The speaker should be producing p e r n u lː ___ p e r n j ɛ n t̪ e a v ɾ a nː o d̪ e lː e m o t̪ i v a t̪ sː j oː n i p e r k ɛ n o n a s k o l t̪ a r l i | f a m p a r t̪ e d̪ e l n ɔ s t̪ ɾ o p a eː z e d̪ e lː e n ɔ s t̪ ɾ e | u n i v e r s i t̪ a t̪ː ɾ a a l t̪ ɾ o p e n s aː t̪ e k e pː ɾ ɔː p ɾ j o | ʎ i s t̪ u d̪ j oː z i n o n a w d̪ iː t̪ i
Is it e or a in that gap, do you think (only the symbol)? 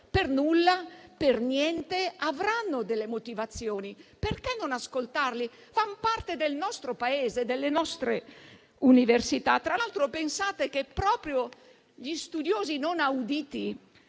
a